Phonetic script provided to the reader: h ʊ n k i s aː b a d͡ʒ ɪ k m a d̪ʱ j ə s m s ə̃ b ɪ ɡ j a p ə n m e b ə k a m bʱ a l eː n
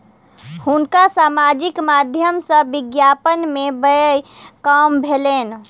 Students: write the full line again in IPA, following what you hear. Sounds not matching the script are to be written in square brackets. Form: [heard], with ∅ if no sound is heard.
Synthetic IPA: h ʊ n k [a] s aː [m] a d͡ʒ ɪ k m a d̪ʱ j ə [∅] m s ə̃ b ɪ ɡ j a p ə n m e b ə k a m bʱ [e] l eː n